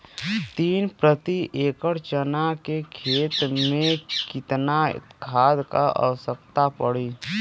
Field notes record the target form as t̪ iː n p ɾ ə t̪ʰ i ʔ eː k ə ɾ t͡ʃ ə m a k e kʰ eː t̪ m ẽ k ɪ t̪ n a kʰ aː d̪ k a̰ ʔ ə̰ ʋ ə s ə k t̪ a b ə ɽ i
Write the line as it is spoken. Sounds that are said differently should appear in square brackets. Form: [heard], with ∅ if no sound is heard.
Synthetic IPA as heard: t̪ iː n p ɾ ə [t̪] i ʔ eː k ə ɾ t͡ʃ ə [n] a k e kʰ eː t̪ m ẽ k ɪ t̪ n a kʰ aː d̪ k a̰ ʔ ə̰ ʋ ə s ə k t̪ a [p] ə ɽ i